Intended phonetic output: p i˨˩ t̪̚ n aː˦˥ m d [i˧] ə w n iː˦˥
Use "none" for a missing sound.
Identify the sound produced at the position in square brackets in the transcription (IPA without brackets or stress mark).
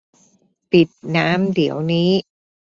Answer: i˩˦